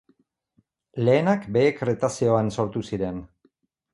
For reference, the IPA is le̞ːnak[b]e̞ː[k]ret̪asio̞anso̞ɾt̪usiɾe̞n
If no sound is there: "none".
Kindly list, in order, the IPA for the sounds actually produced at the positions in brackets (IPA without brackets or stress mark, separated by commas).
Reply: b, k